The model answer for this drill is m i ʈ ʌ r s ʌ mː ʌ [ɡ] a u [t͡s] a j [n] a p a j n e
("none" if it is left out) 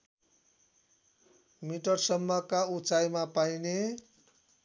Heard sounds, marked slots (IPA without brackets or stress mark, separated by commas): k, t͡s, m